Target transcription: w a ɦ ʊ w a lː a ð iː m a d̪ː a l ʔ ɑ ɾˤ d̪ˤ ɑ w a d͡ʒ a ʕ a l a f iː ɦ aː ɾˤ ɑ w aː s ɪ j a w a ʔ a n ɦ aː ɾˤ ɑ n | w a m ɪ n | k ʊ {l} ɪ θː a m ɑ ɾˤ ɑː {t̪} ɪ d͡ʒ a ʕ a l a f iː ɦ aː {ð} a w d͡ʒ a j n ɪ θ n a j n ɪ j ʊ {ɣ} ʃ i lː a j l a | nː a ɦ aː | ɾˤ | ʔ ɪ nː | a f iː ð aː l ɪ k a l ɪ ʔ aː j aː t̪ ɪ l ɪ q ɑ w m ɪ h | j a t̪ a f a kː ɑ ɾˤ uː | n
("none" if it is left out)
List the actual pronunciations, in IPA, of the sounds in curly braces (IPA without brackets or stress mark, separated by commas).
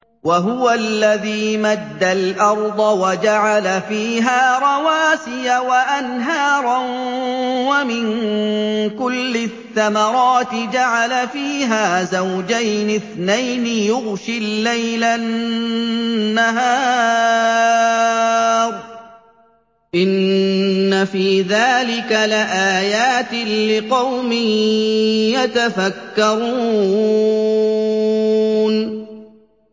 lː, t̪, z, ɣ